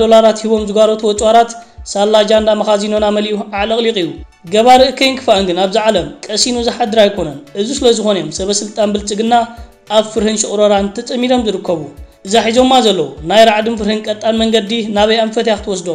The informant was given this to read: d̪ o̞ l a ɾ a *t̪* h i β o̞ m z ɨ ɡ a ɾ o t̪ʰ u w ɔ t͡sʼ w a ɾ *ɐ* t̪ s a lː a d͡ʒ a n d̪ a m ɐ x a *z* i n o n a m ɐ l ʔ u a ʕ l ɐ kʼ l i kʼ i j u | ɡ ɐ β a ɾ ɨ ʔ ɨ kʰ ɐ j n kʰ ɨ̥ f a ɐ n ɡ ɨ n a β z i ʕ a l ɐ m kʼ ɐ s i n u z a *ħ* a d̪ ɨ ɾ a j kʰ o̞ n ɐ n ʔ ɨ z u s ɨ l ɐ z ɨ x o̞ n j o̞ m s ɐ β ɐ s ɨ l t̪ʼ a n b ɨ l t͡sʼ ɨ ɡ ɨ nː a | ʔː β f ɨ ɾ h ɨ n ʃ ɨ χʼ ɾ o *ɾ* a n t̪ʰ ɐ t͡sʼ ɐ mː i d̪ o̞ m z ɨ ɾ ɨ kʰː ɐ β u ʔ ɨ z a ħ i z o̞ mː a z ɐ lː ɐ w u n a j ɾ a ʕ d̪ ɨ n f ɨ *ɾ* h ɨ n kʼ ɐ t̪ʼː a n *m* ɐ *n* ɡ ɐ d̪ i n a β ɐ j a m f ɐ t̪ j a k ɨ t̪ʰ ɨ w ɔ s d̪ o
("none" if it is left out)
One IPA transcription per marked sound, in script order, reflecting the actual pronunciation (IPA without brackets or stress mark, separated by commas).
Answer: t̪, a, z, ħ, ɾ, ɾ, m, ŋ